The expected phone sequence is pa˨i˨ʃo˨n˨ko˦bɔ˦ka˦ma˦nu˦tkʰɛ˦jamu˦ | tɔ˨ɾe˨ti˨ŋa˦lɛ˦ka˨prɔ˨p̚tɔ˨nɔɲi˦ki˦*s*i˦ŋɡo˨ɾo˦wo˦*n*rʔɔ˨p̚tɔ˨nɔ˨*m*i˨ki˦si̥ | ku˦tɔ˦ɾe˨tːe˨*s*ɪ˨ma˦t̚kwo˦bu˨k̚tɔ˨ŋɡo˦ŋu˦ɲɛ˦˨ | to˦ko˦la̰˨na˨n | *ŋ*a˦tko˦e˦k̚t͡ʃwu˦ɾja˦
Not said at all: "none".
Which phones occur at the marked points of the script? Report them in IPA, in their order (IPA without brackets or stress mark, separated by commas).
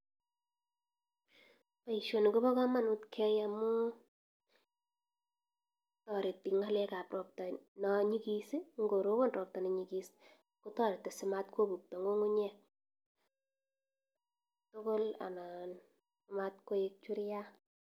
s, n, ɲ, s, m